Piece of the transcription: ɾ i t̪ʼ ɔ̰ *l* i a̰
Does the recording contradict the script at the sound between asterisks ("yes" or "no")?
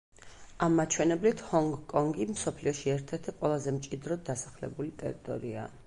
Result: yes